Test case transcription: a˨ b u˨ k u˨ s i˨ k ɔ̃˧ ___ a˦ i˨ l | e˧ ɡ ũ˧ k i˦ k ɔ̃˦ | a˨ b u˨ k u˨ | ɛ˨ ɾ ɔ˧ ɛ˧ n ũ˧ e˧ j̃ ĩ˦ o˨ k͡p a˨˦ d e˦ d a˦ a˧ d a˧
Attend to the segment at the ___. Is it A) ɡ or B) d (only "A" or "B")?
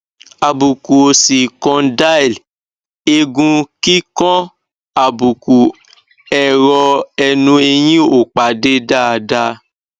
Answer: B